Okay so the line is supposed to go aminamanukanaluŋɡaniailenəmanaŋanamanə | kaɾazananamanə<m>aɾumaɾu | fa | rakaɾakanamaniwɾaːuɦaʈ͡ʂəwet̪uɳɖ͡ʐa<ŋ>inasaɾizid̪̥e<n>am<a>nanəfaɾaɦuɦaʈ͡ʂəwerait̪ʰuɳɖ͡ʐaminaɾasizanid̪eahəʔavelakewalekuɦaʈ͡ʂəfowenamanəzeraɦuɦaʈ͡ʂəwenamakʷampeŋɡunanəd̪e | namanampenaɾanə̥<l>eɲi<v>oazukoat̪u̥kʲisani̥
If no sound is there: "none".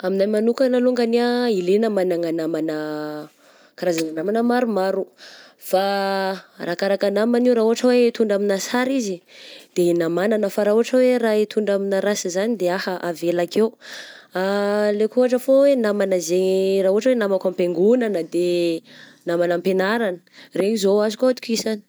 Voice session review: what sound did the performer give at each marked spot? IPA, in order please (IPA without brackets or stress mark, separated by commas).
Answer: m, m, n, a, r, z